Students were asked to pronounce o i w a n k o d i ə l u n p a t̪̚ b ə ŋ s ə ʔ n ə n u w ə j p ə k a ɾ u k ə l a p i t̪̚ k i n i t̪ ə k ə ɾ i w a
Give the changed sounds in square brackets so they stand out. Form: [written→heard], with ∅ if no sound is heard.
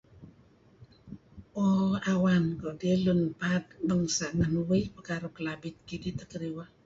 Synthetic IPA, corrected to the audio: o [i→a] w a n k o d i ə l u n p a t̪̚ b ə ŋ s [ə→a] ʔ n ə n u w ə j p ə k a ɾ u k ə l a [p→b] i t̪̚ k i [n→d] i t̪ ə k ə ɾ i w a

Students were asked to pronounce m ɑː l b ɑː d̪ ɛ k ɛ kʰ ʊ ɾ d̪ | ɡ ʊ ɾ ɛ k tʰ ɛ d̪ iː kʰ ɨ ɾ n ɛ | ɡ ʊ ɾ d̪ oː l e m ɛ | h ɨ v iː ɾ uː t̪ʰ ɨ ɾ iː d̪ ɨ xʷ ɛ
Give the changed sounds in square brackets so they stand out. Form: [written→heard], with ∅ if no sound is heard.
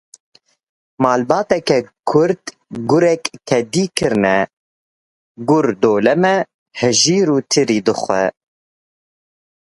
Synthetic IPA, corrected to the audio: m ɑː l b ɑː [d̪→t̪] ɛ k ɛ kʰ ʊ ɾ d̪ | ɡ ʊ ɾ ɛ k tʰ ɛ d̪ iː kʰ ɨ ɾ n ɛ | ɡ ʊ ɾ d̪ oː l [e→ɛ] m ɛ | h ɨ [v→ʒ] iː ɾ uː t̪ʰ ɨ ɾ iː d̪ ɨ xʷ ɛ

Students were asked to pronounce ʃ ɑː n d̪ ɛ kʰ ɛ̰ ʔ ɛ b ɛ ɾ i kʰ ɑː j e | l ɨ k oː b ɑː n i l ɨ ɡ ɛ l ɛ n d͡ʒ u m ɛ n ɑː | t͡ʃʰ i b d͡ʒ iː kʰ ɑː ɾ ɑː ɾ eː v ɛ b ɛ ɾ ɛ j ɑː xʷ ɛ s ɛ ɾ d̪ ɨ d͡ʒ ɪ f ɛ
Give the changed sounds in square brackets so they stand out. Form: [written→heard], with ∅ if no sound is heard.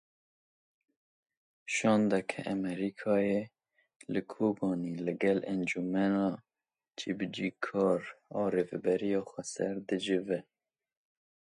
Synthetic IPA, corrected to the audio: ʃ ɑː n d̪ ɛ kʰ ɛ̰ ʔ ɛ [b→m] ɛ ɾ i kʰ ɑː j e | l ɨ [k→kʰ] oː b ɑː n i l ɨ ɡ ɛ l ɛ n d͡ʒ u m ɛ n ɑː | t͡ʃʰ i b d͡ʒ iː kʰ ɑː ɾ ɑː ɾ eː v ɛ b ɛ ɾ [ɛ→i] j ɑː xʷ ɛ s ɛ ɾ d̪ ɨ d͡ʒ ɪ [f→v] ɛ

